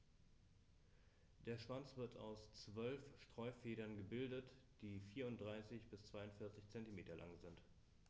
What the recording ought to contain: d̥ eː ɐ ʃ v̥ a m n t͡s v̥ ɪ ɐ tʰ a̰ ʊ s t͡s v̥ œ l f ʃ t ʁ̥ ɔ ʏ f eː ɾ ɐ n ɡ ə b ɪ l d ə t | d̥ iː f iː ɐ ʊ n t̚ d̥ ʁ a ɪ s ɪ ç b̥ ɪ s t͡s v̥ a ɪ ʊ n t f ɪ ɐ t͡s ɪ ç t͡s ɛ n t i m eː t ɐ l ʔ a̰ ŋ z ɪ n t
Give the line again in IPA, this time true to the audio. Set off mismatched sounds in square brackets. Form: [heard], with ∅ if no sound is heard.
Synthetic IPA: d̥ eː ɐ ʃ v̥ a [∅] n t͡s v̥ ɪ ɐ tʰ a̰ ʊ s t͡s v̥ œ l f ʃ t ʁ̥ ɔ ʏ f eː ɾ ɐ n ɡ ə b ɪ l d ə t | d̥ iː f iː ɐ ʊ n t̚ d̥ ʁ a ɪ s ɪ ç b̥ ɪ s t͡s v̥ a ɪ ʊ n t f ɪ ɐ t͡s ɪ ç t͡s ɛ n t i m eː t ɐ l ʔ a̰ ŋ z ɪ n t